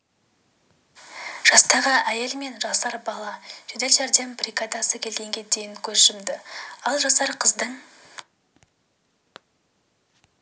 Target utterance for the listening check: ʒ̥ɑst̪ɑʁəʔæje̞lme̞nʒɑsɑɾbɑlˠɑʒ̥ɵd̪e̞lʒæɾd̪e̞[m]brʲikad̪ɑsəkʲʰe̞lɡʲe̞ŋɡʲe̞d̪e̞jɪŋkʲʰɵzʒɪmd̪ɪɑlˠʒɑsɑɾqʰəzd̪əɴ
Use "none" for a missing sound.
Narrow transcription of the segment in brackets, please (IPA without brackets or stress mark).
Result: m